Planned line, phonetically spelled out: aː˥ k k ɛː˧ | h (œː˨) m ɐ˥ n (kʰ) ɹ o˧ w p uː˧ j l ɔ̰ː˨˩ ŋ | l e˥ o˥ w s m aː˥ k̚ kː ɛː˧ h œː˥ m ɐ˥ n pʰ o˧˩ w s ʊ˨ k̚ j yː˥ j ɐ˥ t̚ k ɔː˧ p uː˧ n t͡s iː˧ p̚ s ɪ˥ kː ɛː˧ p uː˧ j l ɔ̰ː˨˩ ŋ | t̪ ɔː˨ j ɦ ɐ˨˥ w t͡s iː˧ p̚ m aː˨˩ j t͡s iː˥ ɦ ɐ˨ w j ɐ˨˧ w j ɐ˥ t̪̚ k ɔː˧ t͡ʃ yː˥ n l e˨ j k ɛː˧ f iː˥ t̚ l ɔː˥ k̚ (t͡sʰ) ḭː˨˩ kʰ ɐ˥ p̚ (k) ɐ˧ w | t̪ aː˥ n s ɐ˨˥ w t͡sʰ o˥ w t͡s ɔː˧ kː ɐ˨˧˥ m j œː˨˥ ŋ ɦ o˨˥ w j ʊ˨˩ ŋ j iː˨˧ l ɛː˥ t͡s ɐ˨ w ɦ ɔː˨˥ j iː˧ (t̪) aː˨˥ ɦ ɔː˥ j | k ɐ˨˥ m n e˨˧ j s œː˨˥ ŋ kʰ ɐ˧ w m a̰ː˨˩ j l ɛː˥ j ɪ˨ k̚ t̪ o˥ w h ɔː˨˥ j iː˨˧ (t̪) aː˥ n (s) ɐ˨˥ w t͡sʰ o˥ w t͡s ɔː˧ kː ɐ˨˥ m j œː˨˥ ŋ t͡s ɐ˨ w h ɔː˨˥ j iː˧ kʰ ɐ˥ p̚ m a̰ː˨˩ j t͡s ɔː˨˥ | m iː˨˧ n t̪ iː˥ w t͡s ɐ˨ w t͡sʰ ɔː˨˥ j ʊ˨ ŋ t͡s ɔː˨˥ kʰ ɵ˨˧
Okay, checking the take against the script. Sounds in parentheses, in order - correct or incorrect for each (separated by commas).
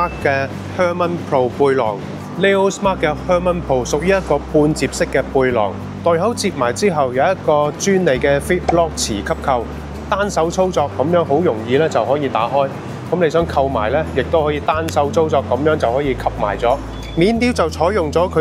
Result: incorrect, incorrect, correct, incorrect, correct, correct, correct